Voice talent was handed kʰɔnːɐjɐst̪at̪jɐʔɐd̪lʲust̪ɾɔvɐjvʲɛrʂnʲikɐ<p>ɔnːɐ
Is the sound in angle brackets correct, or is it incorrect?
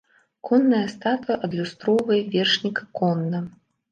incorrect